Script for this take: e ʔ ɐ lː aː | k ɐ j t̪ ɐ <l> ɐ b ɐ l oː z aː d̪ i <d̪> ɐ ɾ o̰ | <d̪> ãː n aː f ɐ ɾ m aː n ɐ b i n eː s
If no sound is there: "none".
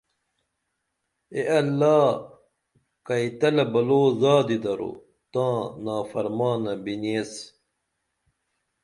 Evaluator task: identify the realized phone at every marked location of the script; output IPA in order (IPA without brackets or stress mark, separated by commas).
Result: l, d̪, t̪